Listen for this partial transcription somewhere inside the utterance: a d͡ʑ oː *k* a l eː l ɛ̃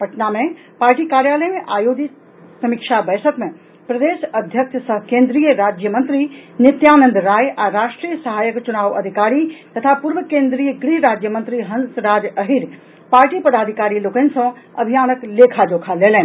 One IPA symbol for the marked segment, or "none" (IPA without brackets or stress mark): kʰ